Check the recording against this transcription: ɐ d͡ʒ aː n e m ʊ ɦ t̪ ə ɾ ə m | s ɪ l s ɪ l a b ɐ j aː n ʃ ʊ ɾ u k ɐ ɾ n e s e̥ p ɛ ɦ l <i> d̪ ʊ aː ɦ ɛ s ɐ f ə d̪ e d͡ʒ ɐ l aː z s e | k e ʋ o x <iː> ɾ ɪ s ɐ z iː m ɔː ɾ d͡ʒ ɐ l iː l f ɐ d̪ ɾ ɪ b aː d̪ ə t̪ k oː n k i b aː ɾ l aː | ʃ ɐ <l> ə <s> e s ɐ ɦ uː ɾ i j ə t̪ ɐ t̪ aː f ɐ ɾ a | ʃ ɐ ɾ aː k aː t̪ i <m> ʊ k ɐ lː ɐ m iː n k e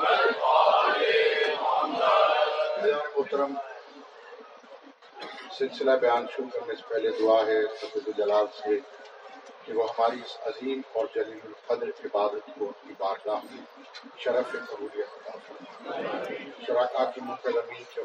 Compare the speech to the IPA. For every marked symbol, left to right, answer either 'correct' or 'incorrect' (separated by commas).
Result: incorrect, incorrect, incorrect, incorrect, correct